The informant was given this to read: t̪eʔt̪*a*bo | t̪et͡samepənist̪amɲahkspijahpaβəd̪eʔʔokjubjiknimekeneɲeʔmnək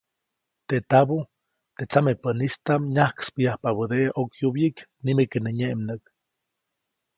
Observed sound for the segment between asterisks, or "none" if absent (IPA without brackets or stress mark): a